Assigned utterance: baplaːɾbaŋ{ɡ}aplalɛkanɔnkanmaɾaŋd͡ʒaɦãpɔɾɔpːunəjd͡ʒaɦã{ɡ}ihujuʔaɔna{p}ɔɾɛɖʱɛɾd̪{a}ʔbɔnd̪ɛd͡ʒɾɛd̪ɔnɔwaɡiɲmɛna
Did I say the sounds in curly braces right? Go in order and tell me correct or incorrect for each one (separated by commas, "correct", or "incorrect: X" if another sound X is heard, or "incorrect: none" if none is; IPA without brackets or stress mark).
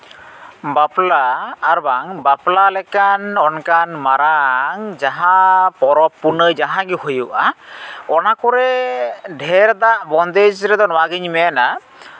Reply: incorrect: b, correct, incorrect: k, correct